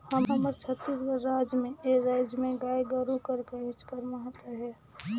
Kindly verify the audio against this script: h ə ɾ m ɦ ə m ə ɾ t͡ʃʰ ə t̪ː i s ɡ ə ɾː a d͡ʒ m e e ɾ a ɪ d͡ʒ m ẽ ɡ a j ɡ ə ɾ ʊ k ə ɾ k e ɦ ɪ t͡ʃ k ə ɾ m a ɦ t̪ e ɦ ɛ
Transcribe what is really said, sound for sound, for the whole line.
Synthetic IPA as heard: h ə m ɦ ə m ə ɾ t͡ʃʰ ə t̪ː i s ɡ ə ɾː a d͡ʒ m e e ɾ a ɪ d͡ʒ m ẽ ɡ a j ɡ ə ɾ u k ə ɾ k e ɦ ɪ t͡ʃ k ə ɾ m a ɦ t̪ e ɦ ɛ